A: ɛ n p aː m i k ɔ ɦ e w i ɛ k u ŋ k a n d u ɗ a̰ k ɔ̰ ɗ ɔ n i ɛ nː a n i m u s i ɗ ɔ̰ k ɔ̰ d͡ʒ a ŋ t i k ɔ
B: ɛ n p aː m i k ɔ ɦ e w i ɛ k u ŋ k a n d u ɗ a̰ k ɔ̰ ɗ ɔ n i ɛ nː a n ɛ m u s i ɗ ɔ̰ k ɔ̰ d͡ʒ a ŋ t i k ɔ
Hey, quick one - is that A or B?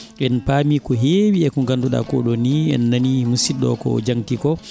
A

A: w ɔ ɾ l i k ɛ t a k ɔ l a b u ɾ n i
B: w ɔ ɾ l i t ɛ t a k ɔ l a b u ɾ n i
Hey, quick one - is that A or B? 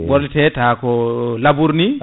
B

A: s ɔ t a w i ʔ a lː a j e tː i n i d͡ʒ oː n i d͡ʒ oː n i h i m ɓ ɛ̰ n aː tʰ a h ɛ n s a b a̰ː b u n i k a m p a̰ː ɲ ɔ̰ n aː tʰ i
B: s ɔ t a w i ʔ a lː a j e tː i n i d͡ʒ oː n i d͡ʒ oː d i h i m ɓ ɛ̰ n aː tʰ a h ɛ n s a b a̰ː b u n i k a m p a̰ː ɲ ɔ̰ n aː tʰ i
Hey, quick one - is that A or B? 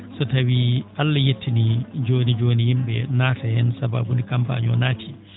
A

